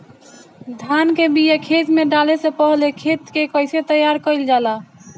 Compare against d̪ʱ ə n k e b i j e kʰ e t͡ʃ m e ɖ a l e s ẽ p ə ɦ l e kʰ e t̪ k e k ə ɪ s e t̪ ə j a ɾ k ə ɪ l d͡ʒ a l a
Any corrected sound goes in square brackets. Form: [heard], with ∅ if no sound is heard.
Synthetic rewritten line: d̪ʱ [a] n k e b i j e kʰ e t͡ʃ m e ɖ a l e s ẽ p ə ɦ l e kʰ e t̪ k e k ə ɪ s e t̪ ə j a ɾ k ə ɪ l d͡ʒ a l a